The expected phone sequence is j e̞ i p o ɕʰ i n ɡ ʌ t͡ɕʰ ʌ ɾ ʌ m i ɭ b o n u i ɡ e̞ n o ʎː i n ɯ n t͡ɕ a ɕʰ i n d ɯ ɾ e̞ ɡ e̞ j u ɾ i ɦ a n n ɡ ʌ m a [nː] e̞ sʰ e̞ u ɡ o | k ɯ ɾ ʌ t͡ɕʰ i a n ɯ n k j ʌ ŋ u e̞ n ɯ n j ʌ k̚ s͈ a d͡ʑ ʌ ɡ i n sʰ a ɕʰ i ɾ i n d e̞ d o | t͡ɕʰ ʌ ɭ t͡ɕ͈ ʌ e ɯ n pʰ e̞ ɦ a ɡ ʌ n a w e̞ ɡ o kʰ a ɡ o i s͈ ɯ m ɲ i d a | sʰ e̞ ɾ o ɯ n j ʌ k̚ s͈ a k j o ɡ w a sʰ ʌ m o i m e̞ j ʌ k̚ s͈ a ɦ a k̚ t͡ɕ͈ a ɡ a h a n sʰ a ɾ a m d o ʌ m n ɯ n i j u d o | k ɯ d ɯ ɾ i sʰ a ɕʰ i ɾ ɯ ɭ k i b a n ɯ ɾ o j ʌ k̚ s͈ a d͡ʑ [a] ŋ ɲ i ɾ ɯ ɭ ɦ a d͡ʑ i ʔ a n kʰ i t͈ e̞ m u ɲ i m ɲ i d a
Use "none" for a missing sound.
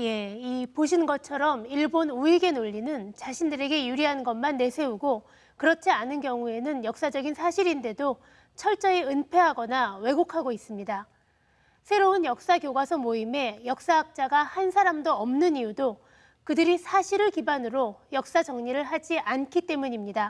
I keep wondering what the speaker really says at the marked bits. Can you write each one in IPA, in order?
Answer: nː, ʌ

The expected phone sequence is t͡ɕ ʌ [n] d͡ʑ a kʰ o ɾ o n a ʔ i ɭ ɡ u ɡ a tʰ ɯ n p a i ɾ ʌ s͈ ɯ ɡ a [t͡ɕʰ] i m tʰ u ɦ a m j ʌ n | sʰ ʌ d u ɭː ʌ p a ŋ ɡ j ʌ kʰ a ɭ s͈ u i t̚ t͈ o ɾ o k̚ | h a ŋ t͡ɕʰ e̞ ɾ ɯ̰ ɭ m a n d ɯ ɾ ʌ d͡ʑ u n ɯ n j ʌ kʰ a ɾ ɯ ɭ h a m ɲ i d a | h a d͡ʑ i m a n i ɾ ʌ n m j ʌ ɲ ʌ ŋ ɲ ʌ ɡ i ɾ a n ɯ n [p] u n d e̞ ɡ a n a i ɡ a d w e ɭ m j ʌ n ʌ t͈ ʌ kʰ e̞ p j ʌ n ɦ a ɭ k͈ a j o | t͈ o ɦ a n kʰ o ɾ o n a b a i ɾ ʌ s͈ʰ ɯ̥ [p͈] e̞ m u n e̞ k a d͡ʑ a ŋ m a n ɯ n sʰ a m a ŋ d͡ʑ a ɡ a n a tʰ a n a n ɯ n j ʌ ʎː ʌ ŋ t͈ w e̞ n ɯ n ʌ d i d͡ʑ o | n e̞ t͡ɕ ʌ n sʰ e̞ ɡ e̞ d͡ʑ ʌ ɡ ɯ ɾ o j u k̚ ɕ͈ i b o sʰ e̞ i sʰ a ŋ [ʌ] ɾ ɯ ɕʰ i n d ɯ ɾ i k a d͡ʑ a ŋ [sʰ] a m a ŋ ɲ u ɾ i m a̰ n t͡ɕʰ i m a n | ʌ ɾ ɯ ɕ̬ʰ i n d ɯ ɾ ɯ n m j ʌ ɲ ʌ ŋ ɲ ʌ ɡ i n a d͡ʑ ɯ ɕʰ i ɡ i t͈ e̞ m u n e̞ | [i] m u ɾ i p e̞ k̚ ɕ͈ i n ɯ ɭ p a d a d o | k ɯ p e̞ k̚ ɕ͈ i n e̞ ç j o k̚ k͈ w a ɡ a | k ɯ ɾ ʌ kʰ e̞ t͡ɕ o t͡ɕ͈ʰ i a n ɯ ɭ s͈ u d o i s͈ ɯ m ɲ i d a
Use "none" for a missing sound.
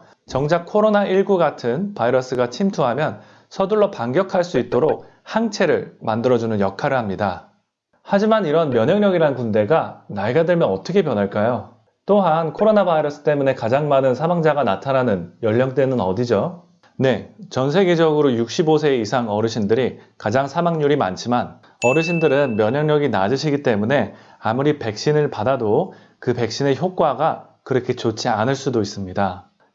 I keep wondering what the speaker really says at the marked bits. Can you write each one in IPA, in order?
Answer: ŋ, t͡ɕʰ, k, t͈, ʌ, sʰ, a

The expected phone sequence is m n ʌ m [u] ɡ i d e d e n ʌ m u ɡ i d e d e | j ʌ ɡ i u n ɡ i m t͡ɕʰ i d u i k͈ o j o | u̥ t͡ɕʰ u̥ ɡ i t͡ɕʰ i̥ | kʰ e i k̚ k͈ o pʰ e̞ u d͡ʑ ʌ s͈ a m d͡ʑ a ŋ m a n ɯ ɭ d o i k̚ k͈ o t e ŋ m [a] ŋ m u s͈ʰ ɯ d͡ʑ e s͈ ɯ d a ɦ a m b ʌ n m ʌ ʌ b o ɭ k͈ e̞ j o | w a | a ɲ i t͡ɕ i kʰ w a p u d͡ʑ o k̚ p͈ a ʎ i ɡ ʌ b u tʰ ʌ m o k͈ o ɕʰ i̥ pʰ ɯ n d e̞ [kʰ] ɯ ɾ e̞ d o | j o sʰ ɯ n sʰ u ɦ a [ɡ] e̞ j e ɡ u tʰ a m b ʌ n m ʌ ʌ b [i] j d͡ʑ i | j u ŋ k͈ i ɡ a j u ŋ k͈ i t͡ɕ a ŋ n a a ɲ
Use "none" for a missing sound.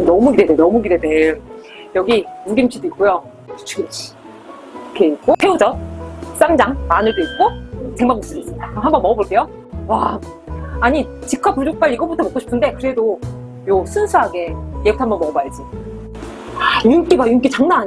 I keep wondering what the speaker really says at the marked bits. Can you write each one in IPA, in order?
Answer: u, a, k, ɡ, a

